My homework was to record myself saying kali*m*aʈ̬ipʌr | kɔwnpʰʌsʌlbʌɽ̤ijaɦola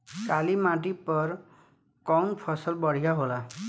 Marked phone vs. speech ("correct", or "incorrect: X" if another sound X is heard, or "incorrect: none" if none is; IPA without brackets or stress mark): correct